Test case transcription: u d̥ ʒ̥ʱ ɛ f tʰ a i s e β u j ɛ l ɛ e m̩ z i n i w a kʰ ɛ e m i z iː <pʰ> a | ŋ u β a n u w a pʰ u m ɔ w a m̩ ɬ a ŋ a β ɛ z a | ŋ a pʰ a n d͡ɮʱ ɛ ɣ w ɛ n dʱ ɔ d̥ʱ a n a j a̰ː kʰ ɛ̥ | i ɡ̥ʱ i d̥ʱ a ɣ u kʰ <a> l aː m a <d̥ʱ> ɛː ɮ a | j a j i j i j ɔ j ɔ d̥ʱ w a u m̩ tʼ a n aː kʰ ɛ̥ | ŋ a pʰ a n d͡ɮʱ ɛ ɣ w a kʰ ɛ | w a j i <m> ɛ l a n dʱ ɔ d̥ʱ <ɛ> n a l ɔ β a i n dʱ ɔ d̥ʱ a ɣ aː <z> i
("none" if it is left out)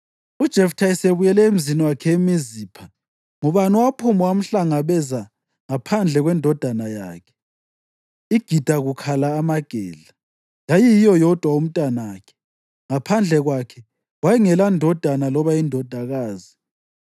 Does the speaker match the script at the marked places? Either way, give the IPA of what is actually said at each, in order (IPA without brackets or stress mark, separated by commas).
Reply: pʰ, a, ɡ̥ʱ, ŋ, a, z